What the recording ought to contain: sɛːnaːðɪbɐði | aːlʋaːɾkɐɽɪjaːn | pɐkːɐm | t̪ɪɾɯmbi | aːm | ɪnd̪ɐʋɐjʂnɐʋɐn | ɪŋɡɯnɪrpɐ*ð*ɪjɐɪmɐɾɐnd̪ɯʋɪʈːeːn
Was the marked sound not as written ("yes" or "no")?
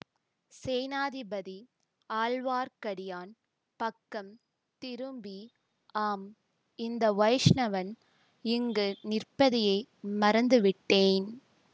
no